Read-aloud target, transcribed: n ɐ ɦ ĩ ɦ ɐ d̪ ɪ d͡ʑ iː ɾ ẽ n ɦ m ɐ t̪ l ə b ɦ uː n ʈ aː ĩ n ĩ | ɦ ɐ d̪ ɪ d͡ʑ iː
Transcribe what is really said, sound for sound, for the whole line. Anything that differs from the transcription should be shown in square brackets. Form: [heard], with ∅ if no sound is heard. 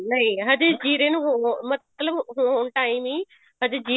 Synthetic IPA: n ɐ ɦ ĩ ɦ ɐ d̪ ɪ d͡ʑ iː ɾ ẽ n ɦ m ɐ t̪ l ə b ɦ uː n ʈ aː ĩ [m] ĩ | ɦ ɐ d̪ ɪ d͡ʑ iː